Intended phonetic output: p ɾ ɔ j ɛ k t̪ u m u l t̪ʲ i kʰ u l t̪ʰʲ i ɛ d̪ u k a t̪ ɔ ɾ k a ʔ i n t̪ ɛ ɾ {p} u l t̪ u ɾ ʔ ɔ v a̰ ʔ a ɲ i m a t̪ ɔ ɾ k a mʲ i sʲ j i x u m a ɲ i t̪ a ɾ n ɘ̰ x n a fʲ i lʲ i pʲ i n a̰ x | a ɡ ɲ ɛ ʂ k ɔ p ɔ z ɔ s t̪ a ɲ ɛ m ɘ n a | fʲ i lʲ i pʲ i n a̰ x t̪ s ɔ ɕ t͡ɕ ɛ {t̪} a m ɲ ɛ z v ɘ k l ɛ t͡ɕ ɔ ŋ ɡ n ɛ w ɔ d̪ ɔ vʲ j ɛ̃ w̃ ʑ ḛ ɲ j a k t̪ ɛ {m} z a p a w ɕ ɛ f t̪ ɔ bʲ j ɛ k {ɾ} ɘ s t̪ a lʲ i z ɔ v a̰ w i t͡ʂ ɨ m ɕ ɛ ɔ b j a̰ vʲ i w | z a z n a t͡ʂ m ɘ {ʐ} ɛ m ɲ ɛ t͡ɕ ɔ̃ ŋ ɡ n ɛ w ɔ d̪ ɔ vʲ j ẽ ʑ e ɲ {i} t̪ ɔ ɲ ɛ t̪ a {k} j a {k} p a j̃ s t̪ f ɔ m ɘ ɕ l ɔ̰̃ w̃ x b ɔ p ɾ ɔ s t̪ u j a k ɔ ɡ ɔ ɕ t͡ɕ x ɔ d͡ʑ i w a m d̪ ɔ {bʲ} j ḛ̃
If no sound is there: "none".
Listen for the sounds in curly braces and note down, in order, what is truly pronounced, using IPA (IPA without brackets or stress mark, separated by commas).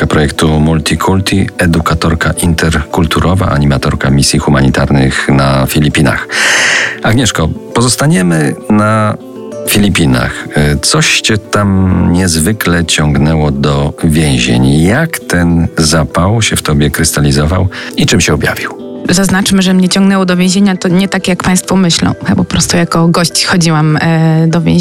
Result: k, t̪, n, ɾ, ʐ, a, k, k, vʲ